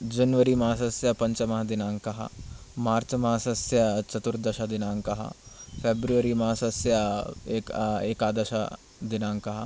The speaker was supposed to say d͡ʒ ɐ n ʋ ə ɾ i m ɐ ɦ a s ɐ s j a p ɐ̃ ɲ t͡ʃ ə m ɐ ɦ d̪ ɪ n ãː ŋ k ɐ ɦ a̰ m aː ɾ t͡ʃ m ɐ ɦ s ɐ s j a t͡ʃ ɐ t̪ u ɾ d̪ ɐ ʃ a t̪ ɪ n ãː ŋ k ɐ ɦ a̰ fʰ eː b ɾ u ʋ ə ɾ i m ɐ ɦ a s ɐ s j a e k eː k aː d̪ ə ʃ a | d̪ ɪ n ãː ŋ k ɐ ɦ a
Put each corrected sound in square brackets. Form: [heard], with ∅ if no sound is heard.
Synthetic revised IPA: d͡ʒ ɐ n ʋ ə ɾ i m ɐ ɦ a s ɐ s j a p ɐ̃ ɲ t͡ʃ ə m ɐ ɦ d̪ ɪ n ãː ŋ k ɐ ɦ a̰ m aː ɾ t͡ʃ m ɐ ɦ s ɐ s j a t͡ʃ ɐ t̪ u ɾ d̪ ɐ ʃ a [d̪] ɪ n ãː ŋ k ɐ ɦ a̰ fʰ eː b ɾ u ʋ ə ɾ i m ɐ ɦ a s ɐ s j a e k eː k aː d̪ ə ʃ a | d̪ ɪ n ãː ŋ k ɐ ɦ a